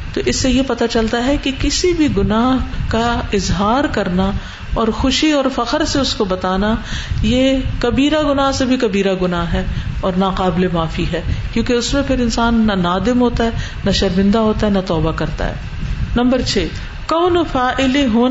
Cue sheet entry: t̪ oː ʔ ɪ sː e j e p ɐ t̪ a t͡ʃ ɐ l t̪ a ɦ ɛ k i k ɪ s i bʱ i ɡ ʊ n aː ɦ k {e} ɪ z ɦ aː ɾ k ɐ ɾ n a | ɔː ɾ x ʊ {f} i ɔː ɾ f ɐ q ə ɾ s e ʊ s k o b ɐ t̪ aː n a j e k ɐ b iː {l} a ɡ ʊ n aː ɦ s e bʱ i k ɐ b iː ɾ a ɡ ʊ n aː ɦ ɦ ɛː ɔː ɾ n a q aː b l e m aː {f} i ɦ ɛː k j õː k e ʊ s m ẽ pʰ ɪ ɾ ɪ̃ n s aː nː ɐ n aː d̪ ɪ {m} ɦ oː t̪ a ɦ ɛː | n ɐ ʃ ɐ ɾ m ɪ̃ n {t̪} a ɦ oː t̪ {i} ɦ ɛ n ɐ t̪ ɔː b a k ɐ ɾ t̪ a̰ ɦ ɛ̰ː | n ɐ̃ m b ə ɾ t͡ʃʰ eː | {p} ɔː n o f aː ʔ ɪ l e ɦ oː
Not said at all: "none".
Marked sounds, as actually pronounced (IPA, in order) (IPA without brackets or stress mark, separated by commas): a, ʃ, ɾ, f, m, d̪, a, k